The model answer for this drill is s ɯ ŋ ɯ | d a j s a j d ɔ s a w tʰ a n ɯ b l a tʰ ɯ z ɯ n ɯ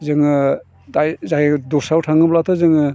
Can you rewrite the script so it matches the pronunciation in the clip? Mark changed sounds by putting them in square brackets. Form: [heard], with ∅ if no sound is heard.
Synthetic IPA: [z] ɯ ŋ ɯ | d a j [z] a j d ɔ s a w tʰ a [ŋ] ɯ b l a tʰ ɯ z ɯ [ŋ] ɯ